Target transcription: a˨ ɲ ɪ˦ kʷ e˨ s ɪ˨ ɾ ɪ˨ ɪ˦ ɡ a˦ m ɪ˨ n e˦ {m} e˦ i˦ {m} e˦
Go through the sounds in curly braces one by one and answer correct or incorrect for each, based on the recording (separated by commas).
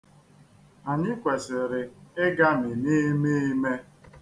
correct, correct